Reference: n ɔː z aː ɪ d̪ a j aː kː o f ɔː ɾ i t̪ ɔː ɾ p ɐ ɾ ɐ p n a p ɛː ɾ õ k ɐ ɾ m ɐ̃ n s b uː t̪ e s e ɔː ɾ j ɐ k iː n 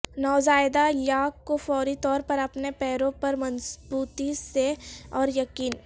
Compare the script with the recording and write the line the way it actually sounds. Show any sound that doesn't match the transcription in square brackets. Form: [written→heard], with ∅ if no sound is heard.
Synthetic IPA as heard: n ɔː z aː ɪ d̪ a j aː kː o f ɔː ɾ i t̪ ɔː ɾ p ɐ ɾ ɐ p n [a→e] p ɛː ɾ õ [k→p] ɐ ɾ m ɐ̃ n s b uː t̪ [e→i] s e ɔː ɾ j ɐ k iː n